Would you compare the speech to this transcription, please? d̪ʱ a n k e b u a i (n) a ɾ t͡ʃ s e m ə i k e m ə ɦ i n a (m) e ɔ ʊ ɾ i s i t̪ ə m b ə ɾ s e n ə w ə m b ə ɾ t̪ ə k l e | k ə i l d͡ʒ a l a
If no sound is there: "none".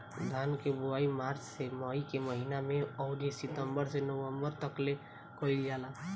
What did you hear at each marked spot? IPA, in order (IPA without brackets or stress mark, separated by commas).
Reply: m, m